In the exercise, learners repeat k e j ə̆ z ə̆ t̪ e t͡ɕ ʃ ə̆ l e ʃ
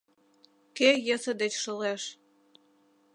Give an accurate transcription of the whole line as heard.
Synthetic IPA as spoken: k e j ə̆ s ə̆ d̪ e t͡ɕ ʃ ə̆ l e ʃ